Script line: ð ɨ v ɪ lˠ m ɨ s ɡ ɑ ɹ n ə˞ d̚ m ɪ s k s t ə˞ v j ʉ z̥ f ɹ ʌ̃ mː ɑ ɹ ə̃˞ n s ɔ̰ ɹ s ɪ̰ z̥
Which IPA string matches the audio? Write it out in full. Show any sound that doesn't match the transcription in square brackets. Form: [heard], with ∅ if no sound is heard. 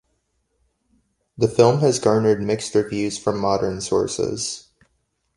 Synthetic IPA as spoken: ð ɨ [f] ɪ lˠ m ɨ [z] ɡ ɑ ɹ n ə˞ d̚ m ɪ [∅] k s t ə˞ v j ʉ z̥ f ɹ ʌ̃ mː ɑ [ɾ] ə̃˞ n s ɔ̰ ɹ s ɪ̰ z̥